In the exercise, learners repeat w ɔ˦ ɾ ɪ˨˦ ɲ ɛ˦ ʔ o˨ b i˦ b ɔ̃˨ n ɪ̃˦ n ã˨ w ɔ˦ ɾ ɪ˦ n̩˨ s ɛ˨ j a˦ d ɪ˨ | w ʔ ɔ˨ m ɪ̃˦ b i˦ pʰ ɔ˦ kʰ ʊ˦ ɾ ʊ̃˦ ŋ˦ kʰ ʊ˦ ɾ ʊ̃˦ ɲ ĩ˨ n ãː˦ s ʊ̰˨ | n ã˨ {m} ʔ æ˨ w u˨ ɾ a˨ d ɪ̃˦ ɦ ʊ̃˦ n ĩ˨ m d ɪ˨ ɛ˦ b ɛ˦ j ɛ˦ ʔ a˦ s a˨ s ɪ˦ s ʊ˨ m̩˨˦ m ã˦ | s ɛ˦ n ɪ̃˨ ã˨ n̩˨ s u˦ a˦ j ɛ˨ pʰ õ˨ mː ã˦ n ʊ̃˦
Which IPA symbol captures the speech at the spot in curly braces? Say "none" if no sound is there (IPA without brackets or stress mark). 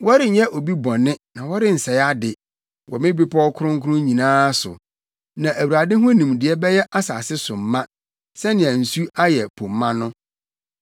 none